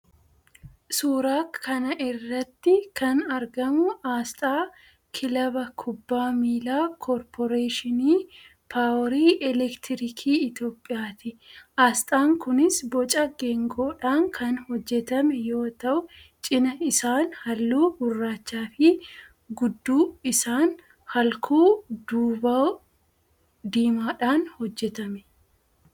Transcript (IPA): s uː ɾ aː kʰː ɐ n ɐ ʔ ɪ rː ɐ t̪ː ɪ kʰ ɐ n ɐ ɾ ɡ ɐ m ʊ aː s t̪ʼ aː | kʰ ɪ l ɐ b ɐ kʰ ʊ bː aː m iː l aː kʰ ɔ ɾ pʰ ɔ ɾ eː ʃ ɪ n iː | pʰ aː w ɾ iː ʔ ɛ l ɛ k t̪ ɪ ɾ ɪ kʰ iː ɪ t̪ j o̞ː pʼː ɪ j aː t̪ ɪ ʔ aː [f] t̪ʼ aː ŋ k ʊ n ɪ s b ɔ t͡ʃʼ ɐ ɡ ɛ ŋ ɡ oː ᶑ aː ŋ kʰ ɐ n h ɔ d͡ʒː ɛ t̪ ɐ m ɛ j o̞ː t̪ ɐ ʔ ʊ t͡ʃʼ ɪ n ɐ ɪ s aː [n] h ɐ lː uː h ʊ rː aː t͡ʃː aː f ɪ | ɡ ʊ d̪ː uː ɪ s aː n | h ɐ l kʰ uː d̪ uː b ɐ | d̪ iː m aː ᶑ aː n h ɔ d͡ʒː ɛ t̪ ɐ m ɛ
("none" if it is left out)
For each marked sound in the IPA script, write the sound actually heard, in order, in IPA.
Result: s, n

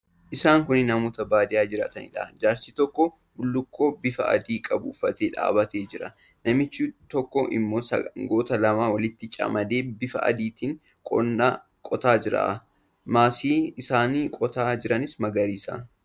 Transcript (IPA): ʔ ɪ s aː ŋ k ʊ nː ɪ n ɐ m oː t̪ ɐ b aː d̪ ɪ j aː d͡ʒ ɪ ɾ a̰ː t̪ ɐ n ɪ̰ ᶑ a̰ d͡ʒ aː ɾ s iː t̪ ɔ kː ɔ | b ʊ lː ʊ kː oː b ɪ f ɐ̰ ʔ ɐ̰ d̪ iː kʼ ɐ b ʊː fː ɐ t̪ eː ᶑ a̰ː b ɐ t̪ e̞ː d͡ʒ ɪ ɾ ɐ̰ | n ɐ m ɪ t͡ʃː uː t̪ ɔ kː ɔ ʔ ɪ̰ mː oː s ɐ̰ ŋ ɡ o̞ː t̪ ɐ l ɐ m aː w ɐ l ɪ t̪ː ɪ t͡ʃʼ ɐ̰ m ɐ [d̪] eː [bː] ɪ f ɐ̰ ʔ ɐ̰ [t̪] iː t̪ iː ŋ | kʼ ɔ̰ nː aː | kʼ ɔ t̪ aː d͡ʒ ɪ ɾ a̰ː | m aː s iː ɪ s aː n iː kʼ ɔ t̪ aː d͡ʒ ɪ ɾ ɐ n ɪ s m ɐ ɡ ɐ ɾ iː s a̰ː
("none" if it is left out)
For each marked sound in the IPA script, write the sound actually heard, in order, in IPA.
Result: d̪, b, d̪

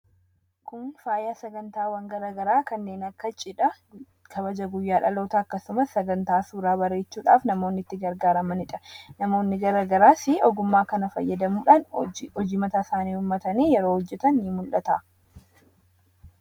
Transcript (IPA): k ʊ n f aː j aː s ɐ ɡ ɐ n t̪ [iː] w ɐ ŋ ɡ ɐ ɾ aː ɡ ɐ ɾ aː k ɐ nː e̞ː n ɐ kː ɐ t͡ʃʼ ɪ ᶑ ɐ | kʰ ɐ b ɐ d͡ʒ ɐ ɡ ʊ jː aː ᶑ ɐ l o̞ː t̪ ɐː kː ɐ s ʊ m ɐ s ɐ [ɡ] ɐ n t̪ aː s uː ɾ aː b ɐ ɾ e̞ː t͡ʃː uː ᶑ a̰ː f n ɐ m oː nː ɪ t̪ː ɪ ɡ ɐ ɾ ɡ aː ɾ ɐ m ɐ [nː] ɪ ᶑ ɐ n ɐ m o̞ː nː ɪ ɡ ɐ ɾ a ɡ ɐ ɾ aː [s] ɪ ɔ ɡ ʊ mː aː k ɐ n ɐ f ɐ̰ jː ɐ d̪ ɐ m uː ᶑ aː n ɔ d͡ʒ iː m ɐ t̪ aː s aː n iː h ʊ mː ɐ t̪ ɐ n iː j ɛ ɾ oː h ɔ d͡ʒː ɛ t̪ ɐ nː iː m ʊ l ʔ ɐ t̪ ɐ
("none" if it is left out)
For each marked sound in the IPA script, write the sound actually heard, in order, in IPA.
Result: aː, ɡ, n, s

